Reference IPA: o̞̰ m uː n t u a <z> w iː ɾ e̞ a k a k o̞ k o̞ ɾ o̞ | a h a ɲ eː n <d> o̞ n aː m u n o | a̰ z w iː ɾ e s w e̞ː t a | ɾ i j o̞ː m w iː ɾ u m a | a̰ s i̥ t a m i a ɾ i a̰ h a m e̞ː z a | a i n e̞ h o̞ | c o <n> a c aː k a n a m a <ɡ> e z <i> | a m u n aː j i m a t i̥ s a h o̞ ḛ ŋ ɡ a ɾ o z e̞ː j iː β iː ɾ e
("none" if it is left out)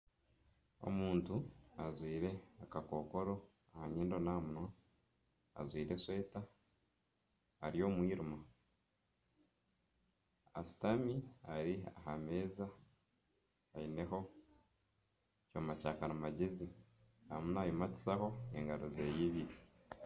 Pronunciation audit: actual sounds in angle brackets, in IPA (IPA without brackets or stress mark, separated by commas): z, d, m, ɟ, i